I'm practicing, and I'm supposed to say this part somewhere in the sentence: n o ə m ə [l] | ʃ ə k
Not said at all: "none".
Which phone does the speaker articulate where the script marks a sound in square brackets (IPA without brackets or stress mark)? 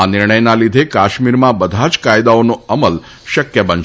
l